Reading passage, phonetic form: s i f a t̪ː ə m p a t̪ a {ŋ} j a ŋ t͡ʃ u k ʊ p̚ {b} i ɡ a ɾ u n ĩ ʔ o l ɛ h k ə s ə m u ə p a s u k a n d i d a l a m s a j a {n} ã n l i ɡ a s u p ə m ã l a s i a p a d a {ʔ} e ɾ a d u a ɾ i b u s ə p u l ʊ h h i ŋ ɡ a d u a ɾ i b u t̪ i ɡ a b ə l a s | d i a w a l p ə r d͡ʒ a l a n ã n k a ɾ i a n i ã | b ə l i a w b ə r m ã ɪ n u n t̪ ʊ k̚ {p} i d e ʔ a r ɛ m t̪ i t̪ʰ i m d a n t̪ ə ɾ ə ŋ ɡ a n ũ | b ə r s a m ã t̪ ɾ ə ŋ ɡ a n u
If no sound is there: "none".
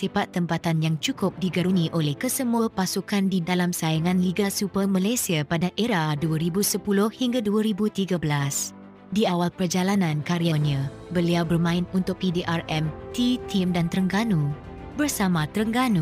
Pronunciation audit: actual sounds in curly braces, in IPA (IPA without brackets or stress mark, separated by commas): n, d, ŋ, ʔ, p